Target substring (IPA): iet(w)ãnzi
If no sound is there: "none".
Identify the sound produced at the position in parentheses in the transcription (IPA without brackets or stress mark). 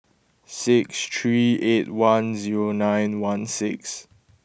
w